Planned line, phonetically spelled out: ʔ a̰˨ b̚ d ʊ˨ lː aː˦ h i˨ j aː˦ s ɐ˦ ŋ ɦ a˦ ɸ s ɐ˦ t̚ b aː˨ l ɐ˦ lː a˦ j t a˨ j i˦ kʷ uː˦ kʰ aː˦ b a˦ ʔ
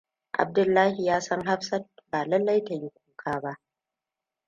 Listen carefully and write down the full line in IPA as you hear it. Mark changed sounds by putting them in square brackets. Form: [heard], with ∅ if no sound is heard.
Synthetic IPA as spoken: ʔ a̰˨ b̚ d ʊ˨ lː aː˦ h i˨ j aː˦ s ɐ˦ ŋ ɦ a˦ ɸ s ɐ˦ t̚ b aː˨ l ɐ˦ lː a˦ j t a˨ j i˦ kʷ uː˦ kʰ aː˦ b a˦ ʔ